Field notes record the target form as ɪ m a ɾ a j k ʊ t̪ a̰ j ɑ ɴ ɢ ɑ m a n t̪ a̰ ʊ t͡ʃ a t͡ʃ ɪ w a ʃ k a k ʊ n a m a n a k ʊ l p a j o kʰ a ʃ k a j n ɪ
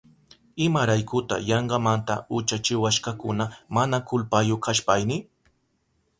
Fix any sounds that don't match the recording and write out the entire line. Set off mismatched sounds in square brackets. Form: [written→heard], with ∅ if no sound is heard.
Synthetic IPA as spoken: ɪ m a ɾ a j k ʊ t̪ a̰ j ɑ ɴ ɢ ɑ m a n t̪ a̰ ʊ t͡ʃ a t͡ʃ ɪ w a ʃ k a k ʊ n a m a n a k ʊ l p a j o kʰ a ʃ [k→p] a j n ɪ